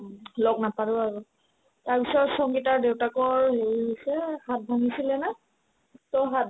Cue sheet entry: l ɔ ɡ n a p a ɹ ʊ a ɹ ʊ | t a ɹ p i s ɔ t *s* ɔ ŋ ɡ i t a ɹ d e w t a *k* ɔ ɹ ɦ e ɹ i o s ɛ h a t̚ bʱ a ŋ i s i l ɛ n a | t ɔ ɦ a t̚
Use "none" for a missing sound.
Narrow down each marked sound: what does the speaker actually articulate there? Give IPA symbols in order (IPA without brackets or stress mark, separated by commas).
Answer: s, k